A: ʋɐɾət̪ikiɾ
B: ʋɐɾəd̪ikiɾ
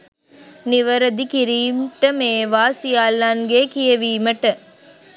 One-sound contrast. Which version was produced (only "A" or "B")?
B